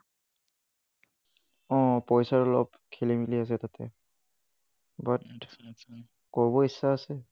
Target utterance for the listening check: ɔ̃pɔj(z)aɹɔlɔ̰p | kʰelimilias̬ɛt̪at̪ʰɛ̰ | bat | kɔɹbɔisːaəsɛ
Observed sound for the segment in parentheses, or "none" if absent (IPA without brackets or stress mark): s